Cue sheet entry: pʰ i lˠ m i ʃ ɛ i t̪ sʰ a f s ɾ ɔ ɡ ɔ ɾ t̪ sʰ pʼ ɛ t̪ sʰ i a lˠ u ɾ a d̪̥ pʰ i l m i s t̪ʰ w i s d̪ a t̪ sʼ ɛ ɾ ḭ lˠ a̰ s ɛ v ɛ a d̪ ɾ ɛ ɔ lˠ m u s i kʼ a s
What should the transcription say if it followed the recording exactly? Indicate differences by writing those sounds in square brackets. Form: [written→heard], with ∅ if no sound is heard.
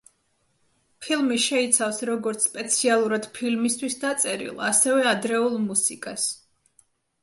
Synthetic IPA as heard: pʰ i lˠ m i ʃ ɛ i t̪ sʰ a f s ɾ ɔ ɡ ɔ ɾ t̪ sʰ pʼ ɛ t̪ sʰ i a lˠ u ɾ a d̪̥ pʰ i l m i s t̪ʰ w i s d̪ a t̪ sʼ ɛ ɾ ḭ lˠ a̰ s ɛ v ɛ a d̪ ɾ ɛ [ɔ→u] lˠ m u s i kʼ a s

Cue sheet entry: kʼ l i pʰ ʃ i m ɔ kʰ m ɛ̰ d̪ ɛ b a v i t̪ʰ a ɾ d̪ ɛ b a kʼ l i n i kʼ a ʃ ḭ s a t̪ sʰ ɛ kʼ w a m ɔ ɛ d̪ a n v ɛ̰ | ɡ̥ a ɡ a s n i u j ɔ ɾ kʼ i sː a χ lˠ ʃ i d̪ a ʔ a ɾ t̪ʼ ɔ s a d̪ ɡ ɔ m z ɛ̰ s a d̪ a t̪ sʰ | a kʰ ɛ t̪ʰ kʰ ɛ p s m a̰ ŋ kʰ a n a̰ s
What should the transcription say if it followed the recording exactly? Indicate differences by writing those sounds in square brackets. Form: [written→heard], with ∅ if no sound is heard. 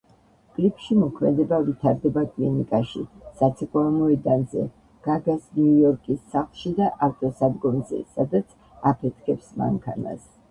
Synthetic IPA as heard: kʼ l i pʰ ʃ i m ɔ kʰ m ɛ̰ d̪ ɛ b a v i t̪ʰ a ɾ d̪ ɛ b a kʼ l i n i kʼ a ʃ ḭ s a t̪ sʰ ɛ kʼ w a m ɔ ɛ d̪ a n [v→z] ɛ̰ | ɡ̥ a ɡ a s n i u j ɔ ɾ kʼ i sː a χ lˠ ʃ i d̪ a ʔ a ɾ t̪ʼ ɔ s a d̪ ɡ ɔ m z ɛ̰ s a d̪ a t̪ sʰ | a [kʰ→pʰ] ɛ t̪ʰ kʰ ɛ p s m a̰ ŋ kʰ a n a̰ s

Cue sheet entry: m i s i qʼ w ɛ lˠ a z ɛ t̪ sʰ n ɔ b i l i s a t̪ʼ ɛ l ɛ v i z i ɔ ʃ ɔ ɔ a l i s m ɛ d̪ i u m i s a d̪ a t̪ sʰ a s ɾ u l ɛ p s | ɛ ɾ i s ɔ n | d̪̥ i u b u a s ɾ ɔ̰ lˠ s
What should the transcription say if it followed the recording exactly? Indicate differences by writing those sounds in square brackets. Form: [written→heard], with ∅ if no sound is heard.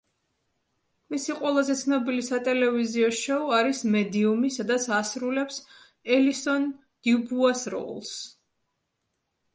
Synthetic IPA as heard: m i s i qʼ w ɛ lˠ a z ɛ t̪ sʰ n ɔ b i l i s a t̪ʼ ɛ l ɛ v i z i ɔ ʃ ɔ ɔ a [l→ɾ] i s m ɛ d̪ i u m i s a d̪ a t̪ sʰ a s ɾ u l ɛ p s | ɛ [ɾ→l] i s ɔ n | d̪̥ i u b u a s ɾ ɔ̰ lˠ s

